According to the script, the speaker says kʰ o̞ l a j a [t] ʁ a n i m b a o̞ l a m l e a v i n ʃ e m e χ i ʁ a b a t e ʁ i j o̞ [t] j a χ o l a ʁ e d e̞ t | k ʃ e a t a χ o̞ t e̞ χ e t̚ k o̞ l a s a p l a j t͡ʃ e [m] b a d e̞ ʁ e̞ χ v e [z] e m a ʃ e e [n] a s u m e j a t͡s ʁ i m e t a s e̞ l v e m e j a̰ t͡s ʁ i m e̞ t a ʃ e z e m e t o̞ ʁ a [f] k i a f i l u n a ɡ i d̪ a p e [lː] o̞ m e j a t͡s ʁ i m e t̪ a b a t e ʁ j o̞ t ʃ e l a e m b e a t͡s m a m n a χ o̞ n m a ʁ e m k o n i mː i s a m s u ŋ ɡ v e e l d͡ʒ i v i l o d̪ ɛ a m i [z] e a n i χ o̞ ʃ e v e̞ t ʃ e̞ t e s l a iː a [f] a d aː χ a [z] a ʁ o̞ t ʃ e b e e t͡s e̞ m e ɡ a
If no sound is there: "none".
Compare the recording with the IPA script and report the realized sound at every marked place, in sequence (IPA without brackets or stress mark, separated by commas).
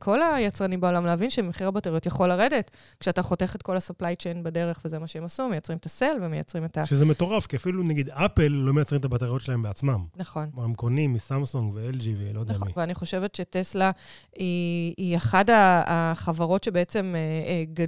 t͡s, t, n, z, m, f, lː, v, χ, v